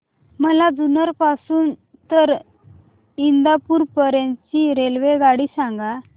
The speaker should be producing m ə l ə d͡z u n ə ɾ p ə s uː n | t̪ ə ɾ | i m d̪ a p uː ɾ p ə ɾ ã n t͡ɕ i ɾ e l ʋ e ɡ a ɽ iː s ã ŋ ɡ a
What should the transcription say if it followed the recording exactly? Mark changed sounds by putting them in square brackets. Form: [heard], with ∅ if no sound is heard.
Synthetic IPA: m ə l [a] d͡z u n ə ɾ p [a] s uː n | t̪ ə ɾ | i [n] d̪ a p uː ɾ p ə ɾ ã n t͡ɕ i ɾ e l ʋ e ɡ a ɽ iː s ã ŋ ɡ a